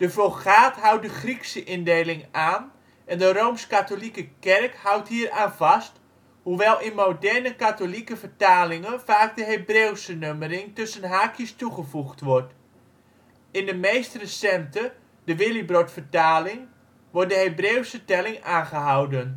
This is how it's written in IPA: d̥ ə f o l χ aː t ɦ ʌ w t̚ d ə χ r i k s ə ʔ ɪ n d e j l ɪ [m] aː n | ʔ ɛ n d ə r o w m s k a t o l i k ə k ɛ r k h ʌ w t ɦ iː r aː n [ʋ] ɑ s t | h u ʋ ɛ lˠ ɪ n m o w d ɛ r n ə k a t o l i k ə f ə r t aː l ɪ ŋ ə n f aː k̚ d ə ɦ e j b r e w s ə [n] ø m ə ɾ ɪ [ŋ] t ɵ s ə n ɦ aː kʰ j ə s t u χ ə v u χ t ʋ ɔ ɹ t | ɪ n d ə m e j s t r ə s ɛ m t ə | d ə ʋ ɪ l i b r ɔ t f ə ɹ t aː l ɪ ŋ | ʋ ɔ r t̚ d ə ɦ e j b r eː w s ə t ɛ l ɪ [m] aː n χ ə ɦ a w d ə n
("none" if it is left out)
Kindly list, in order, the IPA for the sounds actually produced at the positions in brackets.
ŋ, v, n, ŋ, ŋ

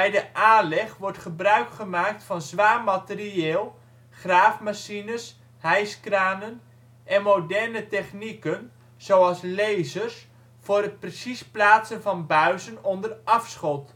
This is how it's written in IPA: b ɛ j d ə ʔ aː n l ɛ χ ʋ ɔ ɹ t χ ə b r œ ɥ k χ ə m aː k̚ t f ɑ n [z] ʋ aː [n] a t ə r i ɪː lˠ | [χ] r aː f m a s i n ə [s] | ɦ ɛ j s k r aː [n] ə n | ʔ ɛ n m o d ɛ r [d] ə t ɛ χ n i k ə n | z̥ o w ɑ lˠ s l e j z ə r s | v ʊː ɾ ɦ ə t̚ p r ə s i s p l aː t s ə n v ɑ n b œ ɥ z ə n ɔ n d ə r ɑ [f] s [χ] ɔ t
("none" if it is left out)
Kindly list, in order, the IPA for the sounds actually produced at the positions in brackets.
z, m, χ, s, n, n, f, χ

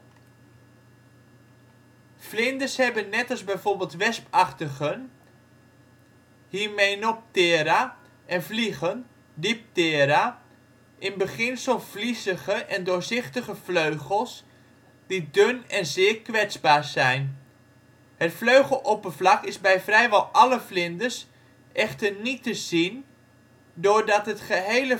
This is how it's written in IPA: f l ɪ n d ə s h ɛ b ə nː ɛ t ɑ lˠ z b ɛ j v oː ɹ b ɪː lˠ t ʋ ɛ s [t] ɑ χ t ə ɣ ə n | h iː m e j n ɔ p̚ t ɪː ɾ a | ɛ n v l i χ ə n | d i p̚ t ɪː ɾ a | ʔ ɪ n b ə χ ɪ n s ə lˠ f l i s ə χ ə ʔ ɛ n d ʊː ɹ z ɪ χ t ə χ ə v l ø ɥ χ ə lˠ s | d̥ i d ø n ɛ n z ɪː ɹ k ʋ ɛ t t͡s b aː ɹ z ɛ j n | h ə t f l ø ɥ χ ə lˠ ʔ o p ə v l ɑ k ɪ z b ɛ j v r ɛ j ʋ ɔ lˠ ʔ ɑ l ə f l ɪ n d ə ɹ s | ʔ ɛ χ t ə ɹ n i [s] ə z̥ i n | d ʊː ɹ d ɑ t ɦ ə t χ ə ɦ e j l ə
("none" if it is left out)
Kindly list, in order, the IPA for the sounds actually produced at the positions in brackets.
p, t

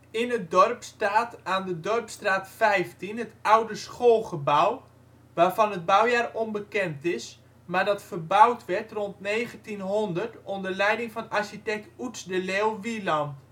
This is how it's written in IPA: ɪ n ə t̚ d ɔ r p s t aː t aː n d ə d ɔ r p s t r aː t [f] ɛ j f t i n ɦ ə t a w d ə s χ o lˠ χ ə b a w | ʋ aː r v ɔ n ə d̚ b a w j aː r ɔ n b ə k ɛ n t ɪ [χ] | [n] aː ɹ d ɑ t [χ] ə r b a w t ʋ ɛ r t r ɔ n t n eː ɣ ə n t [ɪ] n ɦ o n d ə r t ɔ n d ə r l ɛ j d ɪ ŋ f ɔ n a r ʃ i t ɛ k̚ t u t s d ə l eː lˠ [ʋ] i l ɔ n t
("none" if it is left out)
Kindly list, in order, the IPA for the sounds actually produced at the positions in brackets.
f, s, m, f, i, ʋ

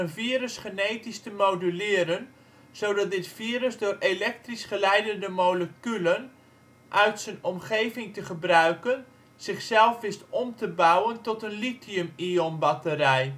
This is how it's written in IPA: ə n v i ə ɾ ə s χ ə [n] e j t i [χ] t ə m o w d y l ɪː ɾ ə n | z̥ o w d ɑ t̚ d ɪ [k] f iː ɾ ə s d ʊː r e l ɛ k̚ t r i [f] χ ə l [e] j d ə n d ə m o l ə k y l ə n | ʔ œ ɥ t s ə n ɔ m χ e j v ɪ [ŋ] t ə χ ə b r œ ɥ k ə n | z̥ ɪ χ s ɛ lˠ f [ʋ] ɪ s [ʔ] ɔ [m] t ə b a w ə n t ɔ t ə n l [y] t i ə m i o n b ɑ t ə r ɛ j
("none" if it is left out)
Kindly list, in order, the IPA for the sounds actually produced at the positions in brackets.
n, s, t, s, ɛ, ŋ, ʋ, t, m, i

